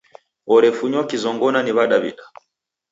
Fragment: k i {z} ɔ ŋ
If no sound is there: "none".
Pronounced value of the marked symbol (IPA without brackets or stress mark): z